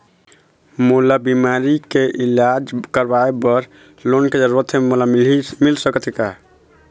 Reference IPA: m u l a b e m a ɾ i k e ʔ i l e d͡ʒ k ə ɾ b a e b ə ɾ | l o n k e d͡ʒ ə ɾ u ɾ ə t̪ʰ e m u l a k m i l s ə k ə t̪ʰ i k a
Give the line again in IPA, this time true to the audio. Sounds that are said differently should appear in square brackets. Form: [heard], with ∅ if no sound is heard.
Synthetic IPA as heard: m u l a b [i] m a ɾ i k e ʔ i l [a] d͡ʒ k ə ɾ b a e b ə ɾ | l o n k e d͡ʒ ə ɾ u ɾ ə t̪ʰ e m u l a [∅] m i l s ə k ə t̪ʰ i k a